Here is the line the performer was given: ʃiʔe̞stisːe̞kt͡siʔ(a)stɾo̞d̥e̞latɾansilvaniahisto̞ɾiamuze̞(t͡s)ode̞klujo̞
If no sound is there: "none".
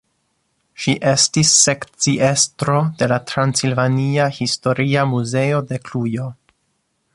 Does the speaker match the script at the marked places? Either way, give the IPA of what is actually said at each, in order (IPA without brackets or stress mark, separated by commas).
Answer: e, none